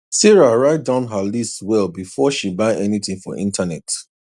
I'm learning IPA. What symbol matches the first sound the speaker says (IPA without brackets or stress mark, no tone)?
s